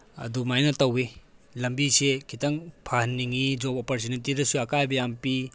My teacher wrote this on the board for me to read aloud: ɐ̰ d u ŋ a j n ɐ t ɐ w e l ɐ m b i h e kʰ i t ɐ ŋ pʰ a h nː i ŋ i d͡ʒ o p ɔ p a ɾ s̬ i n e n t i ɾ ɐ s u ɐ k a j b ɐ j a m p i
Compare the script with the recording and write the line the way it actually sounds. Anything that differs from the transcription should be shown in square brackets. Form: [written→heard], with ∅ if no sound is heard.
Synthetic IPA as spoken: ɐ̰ d u [ŋ→m] a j n ɐ t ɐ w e l ɐ m b i [h→s] e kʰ i t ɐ ŋ pʰ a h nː i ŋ i d͡ʒ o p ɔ p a ɾ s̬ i n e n t i ɾ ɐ s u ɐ k a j b ɐ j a m p i